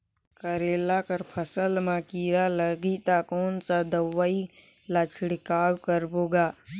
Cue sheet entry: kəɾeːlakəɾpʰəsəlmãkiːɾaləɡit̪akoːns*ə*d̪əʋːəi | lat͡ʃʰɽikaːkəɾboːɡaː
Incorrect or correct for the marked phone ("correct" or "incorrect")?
incorrect